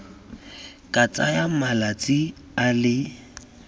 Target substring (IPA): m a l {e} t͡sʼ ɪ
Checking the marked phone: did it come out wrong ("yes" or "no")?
yes